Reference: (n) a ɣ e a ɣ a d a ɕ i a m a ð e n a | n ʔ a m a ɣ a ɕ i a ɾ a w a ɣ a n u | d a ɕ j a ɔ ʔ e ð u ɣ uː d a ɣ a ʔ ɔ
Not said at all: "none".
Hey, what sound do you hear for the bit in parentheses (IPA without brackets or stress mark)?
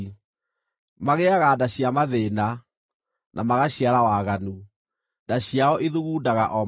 m